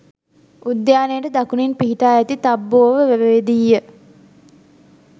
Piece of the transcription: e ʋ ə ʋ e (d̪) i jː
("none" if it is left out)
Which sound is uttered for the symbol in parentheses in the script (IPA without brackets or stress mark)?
d̪